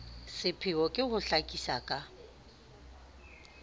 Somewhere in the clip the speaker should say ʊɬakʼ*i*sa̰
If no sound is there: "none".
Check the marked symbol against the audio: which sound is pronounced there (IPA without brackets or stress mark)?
i